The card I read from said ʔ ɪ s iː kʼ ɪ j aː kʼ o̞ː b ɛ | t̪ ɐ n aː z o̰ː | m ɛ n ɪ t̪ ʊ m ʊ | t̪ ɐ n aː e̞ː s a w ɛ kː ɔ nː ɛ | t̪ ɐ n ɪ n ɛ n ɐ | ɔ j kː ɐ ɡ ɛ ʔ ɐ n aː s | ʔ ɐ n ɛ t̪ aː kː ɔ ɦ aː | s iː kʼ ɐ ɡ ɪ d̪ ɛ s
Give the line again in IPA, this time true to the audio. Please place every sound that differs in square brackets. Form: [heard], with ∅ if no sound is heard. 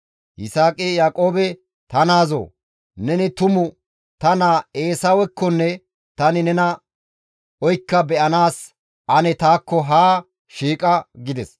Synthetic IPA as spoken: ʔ ɪ s [aː] kʼ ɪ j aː kʼ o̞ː b ɛ | t̪ ɐ n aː z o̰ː | [n] ɛ n ɪ t̪ ʊ m ʊ | t̪ ɐ n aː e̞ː s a w ɛ kː ɔ nː ɛ | t̪ ɐ n ɪ n ɛ n ɐ | ɔ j kː ɐ [b] ɛ ʔ ɐ n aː s | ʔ ɐ n ɛ t̪ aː kː ɔ ɦ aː | [ʃ] iː kʼ ɐ ɡ ɪ d̪ ɛ s